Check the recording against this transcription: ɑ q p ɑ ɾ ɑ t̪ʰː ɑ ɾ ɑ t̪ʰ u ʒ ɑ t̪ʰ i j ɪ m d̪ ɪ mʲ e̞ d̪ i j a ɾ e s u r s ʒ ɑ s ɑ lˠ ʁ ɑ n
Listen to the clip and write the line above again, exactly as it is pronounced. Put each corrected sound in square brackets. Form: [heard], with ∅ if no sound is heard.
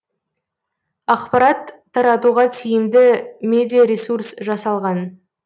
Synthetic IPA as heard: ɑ q p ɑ ɾ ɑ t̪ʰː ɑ ɾ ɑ [t̪] u [ʁ] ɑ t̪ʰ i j ɪ m d̪ ɪ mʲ e̞ d̪ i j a ɾ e s u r s ʒ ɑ s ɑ lˠ ʁ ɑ n